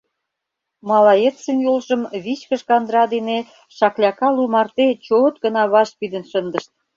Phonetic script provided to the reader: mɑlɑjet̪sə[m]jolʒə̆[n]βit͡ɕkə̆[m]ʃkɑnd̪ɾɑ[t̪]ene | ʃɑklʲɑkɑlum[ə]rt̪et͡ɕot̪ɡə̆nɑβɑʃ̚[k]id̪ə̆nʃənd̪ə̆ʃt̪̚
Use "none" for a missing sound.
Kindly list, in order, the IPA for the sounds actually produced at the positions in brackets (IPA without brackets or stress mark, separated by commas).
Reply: n, m, none, d̪, ɑ, p